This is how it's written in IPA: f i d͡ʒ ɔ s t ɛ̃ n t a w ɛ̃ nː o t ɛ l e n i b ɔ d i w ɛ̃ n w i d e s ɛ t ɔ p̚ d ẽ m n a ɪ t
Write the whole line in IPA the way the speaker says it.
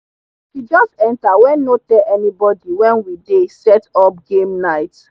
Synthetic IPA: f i d͡ʒ ɔ s t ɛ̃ n t a w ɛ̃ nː o t ɛ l ɛ n i b ɔ d i w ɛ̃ n w i d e s ɛ t ɔ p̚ ɡ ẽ m n a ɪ t